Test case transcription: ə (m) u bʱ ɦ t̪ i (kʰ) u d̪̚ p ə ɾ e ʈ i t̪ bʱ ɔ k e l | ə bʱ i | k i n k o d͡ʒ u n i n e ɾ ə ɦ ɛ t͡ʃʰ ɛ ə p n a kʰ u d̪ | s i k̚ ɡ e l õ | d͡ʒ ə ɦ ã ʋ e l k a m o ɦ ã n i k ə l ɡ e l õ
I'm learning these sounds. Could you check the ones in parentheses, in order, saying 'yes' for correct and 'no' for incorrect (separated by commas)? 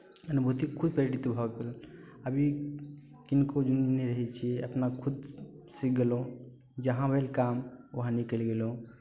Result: no, yes